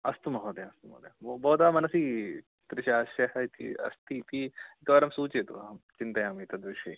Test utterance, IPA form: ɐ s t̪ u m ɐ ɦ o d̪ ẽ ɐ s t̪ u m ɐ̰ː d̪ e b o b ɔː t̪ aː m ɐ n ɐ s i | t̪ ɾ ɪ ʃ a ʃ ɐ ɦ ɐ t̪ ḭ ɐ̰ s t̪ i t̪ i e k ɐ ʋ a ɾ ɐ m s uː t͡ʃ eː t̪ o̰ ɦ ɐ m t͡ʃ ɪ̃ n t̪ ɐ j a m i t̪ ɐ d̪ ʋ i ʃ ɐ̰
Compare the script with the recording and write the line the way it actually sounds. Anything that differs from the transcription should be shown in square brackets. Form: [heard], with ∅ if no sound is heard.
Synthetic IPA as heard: ɐ s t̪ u m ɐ ɦ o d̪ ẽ ɐ s t̪ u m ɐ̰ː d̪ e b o b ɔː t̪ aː m ɐ n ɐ s i | t̪ ɾ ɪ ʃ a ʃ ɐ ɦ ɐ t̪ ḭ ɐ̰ s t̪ i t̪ i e k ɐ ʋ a ɾ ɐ m s uː t͡ʃ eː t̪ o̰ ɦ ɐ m t͡ʃ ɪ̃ n t̪ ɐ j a m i t̪ ɐ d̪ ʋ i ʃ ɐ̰